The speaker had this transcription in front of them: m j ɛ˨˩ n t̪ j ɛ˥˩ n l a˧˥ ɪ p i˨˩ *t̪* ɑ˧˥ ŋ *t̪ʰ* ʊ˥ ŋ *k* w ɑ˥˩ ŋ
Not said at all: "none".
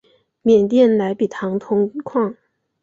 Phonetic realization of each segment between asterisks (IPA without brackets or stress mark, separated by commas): t̪ʰ, t̪ʰ, kʰ